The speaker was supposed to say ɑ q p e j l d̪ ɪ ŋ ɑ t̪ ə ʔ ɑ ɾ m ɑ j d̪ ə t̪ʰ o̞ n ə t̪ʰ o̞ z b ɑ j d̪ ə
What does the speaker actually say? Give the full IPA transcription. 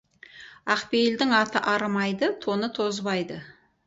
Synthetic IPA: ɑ q p e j l d̪ ɪ ŋ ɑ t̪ ə ʔ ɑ ɾ m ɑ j d̪ ə t̪ʰ o̞ n ə t̪ʰ o̞ z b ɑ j d̪ ə